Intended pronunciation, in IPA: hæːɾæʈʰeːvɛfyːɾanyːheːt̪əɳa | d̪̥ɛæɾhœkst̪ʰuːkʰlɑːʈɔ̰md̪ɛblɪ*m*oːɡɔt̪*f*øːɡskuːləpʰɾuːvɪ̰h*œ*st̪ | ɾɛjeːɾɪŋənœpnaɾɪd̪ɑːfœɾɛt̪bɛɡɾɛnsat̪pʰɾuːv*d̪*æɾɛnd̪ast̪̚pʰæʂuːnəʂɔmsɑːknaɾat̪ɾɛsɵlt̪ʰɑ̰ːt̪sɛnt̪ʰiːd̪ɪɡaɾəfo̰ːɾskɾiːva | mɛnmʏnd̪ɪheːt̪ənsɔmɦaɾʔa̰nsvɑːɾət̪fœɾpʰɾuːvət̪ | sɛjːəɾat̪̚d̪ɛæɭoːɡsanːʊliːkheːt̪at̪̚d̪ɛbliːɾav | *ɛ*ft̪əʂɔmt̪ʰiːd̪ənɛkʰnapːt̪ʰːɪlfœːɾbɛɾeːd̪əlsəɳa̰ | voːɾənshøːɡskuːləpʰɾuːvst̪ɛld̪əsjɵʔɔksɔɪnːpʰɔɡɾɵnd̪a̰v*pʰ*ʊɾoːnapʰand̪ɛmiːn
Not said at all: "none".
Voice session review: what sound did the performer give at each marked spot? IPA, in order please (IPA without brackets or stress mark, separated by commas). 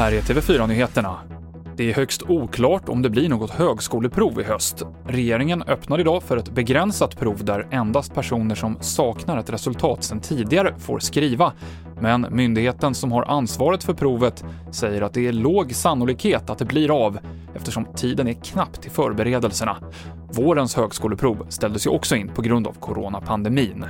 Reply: ɳ, h, œ, d̪, ɛ, kʰ